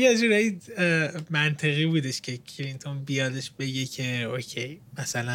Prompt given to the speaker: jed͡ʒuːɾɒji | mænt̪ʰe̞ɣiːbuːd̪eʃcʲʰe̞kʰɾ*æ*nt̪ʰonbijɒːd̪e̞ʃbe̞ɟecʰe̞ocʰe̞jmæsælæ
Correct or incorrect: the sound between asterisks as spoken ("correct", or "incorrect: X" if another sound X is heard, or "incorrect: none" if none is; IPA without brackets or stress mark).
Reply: incorrect: i